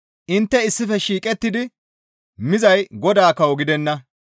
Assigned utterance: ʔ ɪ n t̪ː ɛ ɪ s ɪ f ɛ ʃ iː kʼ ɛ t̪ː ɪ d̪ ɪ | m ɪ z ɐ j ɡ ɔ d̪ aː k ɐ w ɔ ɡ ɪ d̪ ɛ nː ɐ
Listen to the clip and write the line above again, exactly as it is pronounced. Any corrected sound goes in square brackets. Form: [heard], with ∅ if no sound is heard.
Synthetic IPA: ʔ ɪ n t̪ː ɛ ɪ [sː] ɪ f ɛ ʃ iː kʼ ɛ t̪ː ɪ d̪ ɪ | m ɪ z ɐ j ɡ ɔ d̪ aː k ɐ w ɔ ɡ ɪ d̪ ɛ nː ɐ